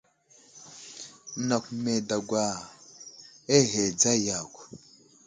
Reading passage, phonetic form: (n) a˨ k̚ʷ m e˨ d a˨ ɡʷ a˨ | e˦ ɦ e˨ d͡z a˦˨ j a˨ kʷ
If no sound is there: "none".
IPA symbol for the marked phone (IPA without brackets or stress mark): n